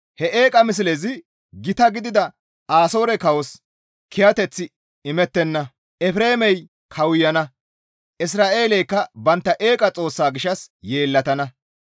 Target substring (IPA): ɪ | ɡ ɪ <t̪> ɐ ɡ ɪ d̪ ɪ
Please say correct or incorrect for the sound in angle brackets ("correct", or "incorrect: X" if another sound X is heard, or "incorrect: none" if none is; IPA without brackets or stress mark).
correct